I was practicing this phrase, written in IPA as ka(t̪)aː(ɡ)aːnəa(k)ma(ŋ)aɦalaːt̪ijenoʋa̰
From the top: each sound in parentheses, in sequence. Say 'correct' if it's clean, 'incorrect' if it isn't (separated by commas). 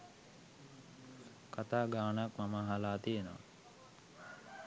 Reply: correct, correct, correct, incorrect